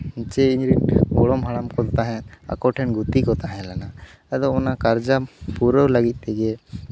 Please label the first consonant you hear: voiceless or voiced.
voiceless